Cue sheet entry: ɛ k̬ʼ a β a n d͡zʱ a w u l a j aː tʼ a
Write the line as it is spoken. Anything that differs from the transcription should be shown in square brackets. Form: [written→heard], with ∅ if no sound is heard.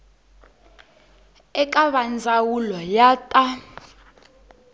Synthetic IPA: ɛ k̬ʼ a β a n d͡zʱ a w u l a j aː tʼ a